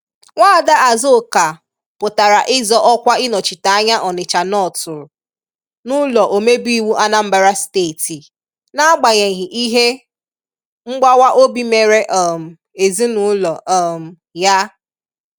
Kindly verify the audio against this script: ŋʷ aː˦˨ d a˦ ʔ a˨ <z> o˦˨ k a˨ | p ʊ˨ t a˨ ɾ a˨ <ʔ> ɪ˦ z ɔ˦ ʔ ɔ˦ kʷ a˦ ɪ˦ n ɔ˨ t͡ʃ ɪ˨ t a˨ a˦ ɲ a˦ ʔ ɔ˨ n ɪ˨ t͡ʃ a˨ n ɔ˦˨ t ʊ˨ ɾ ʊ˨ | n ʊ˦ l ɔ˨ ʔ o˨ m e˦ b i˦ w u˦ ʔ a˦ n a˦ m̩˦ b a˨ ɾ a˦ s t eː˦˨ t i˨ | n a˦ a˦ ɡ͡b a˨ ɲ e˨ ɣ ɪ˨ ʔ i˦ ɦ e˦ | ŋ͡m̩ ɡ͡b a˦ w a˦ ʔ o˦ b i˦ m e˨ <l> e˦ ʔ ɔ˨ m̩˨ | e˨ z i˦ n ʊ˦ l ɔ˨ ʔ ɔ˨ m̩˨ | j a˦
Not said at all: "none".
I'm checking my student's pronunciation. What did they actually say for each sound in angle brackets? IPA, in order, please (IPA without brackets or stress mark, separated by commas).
z, ʔ, ɾ